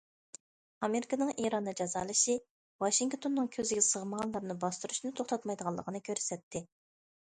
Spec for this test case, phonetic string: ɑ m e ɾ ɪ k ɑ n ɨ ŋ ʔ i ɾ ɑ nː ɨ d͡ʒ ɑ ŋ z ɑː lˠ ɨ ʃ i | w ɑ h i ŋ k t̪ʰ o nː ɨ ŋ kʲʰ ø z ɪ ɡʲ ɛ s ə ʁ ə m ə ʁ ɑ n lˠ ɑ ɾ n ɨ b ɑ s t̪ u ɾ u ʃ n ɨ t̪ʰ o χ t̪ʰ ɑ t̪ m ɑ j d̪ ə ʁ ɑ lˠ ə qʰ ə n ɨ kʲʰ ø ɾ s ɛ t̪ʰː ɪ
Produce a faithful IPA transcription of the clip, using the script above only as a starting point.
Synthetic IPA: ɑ m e ɾ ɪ k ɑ n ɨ ŋ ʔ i ɾ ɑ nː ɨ d͡ʒ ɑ z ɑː lˠ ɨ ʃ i | w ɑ ʃ i ŋ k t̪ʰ o nː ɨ ŋ kʲʰ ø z ɪ ɡʲ ɛ s ə ʁ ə m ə ʁ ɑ n lˠ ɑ ɾ n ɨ b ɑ s t̪ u ɾ u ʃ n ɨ t̪ʰ o χ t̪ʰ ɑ t̪ m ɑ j d̪ ə ʁ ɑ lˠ ə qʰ ə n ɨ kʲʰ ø ɾ s ɛ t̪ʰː ɪ